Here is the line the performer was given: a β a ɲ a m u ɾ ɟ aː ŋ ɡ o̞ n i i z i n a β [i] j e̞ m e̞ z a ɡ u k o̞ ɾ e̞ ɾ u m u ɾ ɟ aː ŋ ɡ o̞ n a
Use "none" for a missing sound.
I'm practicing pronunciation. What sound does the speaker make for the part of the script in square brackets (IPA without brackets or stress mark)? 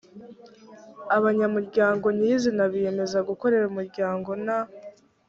i